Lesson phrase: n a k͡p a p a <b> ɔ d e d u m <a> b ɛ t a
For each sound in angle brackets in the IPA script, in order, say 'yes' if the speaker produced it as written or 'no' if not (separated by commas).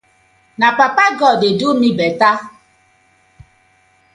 no, no